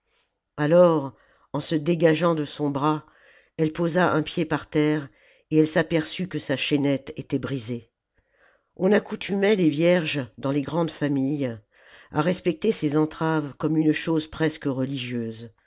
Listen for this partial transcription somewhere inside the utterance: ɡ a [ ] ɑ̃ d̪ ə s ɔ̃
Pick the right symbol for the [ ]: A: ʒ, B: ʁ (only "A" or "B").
A